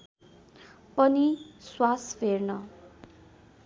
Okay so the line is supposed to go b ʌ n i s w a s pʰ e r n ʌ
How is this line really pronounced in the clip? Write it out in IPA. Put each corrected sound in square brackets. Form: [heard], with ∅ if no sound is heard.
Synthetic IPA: [p] ʌ n i s w a s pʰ e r n ʌ